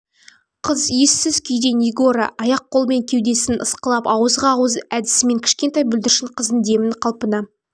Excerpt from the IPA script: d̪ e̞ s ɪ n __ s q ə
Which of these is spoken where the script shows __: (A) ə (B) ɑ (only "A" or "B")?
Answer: A